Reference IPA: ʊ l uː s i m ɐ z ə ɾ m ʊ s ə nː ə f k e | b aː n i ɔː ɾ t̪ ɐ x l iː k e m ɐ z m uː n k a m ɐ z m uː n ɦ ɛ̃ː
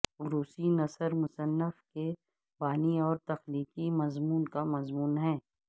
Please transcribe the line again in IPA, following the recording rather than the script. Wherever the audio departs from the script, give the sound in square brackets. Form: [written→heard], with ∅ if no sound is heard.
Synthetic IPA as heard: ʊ [l→ɾ] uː s i [m→n] ɐ [z→s] ə ɾ m ʊ s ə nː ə f k e | b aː n i ɔː ɾ t̪ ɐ x l iː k [e→i] m ɐ z m uː n k a m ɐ z m uː n ɦ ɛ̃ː